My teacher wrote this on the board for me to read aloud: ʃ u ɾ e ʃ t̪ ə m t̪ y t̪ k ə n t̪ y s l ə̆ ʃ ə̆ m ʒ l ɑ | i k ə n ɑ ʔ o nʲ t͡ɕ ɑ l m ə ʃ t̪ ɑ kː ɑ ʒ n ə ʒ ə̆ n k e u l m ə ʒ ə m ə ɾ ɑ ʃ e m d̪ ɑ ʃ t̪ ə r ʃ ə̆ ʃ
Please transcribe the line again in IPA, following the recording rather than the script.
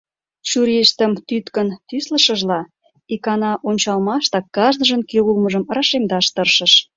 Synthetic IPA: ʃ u ɾ e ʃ t̪ ə m t̪ y t̪ k ə n t̪ y s l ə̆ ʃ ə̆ ʒ l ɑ | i k ɑ n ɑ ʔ o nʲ t͡ɕ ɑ l m ɑ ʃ t̪ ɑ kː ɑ ʒ n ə ʒ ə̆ n k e u l m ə ʒ ə m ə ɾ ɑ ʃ e m d̪ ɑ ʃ t̪ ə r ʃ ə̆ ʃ